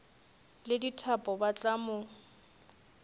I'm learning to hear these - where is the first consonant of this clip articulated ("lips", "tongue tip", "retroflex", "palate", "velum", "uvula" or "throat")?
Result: tongue tip